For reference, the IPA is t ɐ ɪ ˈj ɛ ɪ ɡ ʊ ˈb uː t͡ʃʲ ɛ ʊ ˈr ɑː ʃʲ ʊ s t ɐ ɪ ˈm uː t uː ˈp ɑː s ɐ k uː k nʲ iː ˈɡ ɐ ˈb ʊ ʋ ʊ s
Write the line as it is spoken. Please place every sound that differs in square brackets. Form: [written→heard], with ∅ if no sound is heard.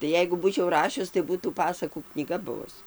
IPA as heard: t ɐ ɪ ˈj ɛ ɪ ɡ ʊ ˈb uː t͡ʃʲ ɛ ʊ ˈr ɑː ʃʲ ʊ s t ɐ ɪ [ˈm→ˈb] uː t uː ˈp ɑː s ɐ k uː k nʲ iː ˈɡ ɐ ˈb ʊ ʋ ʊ s